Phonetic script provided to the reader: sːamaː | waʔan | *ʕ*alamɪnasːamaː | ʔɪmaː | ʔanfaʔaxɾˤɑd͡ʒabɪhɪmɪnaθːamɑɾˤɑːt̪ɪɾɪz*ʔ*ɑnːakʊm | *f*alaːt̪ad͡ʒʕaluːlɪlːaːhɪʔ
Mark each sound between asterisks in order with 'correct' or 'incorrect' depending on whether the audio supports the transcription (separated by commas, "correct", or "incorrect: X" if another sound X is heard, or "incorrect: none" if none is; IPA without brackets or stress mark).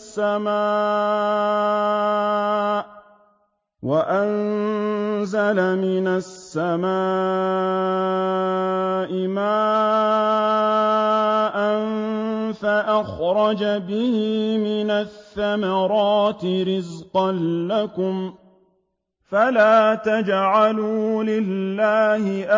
incorrect: z, incorrect: q, correct